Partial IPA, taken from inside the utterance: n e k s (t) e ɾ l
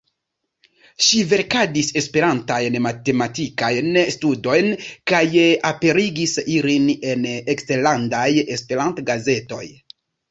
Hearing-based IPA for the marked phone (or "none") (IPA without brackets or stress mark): t